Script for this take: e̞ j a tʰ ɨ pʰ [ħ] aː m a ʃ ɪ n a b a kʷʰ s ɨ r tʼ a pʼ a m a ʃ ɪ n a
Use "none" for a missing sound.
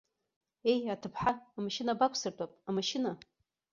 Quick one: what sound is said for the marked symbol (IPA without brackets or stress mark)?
ħ